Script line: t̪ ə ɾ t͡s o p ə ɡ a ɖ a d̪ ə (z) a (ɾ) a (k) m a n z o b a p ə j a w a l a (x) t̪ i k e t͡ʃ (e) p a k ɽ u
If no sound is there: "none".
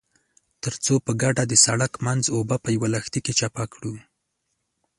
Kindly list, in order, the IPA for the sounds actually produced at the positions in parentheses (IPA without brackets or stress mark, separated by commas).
s, ɽ, k, x, a